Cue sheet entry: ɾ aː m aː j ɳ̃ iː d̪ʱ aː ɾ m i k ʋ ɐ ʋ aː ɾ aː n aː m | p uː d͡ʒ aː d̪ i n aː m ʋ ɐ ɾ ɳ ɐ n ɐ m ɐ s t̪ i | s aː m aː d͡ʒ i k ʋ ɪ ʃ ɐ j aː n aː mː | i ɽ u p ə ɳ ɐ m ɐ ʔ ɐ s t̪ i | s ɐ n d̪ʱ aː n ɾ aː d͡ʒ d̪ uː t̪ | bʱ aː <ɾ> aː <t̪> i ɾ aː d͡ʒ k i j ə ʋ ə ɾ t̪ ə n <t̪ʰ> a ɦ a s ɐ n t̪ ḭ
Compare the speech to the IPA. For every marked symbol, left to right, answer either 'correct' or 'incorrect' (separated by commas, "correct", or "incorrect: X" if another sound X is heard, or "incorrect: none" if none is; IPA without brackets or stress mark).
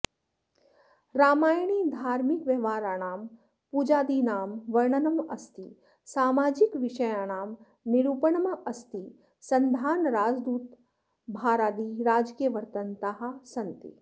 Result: correct, incorrect: d̪, incorrect: t̪